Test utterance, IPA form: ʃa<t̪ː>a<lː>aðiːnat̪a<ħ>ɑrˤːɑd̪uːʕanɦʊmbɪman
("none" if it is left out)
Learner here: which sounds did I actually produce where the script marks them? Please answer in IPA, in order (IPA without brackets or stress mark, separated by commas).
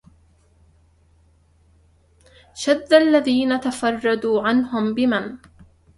d̪ː, lː, f